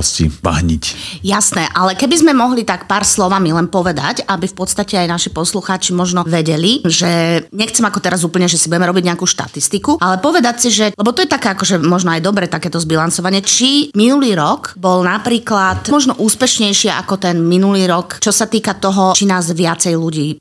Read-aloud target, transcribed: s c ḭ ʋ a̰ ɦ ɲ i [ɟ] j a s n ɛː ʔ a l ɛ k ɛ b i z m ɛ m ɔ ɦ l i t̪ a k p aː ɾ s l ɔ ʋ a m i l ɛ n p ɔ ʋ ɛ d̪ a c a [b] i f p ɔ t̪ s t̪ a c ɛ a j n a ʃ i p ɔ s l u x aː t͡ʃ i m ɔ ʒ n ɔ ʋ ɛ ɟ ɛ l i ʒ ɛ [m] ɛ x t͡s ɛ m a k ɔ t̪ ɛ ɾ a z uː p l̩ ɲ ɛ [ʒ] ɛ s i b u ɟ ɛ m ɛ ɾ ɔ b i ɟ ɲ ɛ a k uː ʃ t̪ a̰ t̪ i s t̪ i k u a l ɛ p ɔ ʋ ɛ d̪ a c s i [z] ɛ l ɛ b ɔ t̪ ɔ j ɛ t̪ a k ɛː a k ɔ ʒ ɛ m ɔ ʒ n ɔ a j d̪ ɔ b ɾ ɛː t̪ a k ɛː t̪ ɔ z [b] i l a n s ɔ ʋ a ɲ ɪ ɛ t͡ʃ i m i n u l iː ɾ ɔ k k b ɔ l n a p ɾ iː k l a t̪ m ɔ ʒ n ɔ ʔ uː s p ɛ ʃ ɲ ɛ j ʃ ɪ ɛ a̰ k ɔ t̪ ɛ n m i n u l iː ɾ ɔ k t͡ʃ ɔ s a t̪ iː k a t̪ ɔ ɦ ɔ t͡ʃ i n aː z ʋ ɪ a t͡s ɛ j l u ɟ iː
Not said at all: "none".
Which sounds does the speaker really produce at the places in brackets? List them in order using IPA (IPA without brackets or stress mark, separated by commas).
c, b, ɲ, ʒ, ʒ, b